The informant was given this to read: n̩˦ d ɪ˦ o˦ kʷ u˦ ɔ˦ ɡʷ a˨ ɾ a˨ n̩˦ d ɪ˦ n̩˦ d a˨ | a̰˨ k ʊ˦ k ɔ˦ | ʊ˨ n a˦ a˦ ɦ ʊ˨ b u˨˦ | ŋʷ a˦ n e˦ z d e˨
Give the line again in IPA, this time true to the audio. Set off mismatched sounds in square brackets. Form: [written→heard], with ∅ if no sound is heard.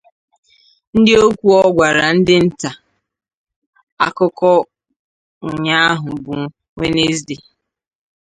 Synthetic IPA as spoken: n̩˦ d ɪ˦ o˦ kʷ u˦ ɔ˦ ɡʷ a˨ ɾ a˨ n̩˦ d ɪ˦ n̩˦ [d→t] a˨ | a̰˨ k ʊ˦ k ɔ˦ | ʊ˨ [n→ɲ] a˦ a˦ ɦ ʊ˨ b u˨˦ | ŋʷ [a˦→e˦] n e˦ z d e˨